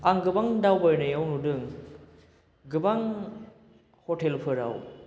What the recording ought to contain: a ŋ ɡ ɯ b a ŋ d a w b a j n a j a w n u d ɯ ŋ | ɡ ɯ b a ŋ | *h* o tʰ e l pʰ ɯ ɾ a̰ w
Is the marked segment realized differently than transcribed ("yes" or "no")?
no